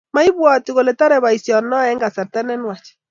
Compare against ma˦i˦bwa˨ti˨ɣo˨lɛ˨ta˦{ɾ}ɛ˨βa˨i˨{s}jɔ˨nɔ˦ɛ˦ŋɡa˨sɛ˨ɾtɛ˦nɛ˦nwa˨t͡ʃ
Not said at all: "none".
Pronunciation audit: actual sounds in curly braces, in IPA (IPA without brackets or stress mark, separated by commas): ɾ, s